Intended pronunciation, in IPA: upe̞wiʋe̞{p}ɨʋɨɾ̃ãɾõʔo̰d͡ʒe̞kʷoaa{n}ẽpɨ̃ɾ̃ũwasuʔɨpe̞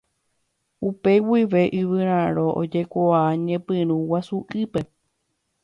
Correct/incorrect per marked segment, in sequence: incorrect: ʔ, incorrect: ɲ

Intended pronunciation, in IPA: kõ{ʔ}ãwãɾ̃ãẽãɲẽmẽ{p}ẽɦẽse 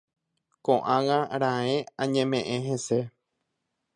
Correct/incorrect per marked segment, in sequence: correct, incorrect: ʔ

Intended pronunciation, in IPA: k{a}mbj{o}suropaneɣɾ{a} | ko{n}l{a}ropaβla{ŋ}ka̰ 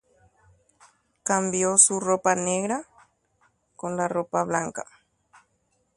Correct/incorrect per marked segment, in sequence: correct, correct, correct, correct, correct, correct

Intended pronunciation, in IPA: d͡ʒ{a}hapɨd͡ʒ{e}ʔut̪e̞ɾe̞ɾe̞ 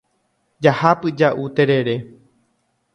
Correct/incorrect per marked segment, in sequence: correct, incorrect: a

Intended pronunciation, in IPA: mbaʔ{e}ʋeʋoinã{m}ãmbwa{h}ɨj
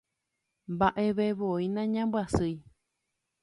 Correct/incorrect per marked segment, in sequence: correct, incorrect: ɲ, incorrect: s

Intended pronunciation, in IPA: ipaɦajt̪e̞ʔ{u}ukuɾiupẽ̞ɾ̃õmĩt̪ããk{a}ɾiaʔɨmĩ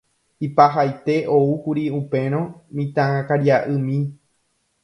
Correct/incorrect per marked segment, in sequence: incorrect: o, correct

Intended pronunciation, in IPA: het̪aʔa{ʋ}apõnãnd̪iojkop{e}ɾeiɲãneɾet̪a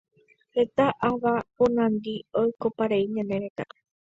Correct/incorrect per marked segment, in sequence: correct, incorrect: a

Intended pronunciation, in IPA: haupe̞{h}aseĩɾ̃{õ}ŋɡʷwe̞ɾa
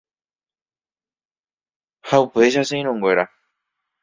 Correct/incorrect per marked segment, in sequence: incorrect: ʃ, correct

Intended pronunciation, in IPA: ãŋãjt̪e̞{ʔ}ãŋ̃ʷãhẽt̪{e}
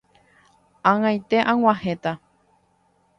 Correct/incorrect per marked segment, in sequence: correct, incorrect: a

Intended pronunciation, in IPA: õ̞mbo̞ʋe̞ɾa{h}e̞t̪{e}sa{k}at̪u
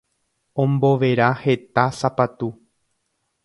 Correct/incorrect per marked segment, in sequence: correct, incorrect: a, incorrect: p

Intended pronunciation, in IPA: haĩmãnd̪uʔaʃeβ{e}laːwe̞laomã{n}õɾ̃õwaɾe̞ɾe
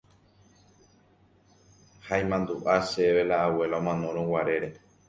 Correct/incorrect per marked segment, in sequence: correct, correct

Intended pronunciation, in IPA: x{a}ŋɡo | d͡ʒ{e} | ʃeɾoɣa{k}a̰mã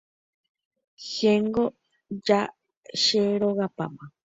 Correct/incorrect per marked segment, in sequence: incorrect: e, incorrect: a, incorrect: p

